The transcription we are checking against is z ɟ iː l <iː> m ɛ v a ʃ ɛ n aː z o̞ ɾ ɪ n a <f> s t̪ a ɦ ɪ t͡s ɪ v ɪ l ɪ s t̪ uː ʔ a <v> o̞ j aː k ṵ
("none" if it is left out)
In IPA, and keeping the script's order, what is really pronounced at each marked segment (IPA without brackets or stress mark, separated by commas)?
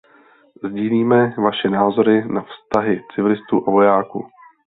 iː, f, v